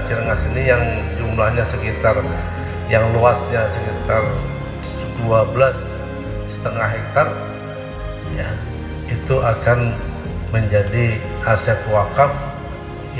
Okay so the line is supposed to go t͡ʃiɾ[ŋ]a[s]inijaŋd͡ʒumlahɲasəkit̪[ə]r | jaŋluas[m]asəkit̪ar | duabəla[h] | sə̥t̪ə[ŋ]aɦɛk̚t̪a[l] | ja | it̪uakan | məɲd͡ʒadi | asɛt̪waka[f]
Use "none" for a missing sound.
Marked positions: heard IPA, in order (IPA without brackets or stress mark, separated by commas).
ŋ, s, a, ɲ, s, ŋ, r, f